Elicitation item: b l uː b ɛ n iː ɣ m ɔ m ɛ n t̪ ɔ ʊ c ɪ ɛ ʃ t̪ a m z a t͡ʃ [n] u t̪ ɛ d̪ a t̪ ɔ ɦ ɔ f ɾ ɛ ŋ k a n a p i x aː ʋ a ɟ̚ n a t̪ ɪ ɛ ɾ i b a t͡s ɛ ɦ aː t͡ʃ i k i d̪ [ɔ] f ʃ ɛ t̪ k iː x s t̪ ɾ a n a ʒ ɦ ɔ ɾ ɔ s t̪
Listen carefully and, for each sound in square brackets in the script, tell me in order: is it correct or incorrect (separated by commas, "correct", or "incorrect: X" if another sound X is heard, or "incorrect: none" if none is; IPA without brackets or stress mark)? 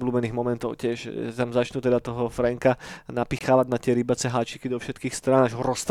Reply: correct, correct